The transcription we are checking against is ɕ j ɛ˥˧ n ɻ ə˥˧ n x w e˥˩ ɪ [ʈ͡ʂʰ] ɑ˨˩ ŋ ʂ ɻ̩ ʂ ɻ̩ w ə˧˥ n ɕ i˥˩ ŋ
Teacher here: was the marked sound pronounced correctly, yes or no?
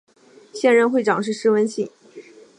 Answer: no